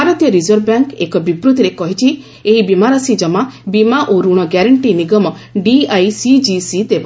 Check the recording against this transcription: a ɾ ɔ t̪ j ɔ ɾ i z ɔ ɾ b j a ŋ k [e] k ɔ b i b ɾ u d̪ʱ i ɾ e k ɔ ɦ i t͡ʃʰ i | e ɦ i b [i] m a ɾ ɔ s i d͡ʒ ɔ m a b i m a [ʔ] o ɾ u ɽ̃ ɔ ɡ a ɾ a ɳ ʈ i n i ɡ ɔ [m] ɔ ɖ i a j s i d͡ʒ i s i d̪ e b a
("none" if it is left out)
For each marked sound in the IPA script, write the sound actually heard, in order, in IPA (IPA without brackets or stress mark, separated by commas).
e, i, ʔ, m